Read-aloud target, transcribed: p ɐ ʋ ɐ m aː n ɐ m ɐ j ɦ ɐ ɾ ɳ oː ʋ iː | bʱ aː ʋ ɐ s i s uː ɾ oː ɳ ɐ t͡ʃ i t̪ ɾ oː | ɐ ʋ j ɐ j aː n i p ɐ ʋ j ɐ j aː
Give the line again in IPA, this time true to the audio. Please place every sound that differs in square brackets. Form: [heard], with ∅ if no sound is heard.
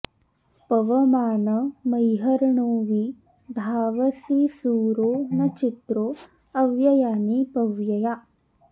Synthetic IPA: p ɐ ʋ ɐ m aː n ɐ m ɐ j ɦ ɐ ɾ ɳ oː ʋ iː | bʱ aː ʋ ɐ s i s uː ɾ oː [n] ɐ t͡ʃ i t̪ ɾ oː | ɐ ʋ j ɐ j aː n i p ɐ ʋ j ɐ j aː